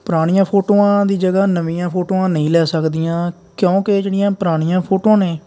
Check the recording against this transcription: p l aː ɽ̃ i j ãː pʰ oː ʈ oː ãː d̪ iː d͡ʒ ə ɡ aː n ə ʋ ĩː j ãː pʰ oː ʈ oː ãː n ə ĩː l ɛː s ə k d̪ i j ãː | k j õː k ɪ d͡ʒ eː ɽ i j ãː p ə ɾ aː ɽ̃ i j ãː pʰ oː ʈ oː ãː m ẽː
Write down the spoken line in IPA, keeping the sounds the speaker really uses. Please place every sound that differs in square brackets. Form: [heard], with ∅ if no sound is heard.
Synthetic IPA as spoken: p [ɾ] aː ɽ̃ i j ãː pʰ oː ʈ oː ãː d̪ iː d͡ʒ ə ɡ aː n ə ʋ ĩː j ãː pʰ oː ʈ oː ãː n ə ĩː l ɛː s ə k d̪ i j ãː | k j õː k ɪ d͡ʒ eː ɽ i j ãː p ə ɾ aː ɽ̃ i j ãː pʰ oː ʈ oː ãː [n] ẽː